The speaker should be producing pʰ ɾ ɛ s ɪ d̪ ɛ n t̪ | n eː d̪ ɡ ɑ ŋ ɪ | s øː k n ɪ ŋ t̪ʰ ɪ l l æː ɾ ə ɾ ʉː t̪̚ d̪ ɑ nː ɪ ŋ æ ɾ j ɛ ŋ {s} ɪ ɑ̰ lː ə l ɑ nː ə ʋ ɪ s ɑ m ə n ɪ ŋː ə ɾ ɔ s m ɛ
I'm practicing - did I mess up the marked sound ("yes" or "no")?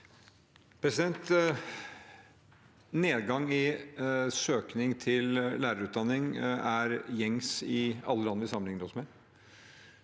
no